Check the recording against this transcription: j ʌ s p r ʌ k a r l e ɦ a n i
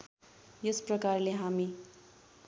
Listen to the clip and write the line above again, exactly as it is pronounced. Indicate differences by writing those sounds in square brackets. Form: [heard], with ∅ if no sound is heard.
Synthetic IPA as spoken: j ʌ s p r ʌ k a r l e ɦ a [m] i